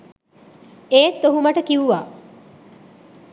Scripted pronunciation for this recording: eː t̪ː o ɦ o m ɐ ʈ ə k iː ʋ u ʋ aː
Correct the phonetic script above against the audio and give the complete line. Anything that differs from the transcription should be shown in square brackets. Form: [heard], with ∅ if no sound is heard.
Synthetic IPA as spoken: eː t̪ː o ɦ [u] m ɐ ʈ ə k [i] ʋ u ʋ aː